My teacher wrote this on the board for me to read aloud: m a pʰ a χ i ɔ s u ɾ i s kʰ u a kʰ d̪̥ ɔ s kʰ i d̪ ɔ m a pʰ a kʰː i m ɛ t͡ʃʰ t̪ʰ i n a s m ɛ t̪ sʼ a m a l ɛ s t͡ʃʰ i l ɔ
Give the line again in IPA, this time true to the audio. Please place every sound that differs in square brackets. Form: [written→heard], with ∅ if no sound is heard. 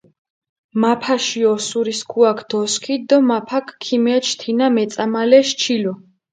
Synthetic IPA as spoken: m a pʰ a [χ→ʃ] i ɔ s u ɾ i s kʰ u a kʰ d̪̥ ɔ s kʰ i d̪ ɔ m a pʰ a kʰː i m ɛ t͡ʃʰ t̪ʰ i n a [s→∅] m ɛ t̪ sʼ a m a l ɛ [s→ʃ] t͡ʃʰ i l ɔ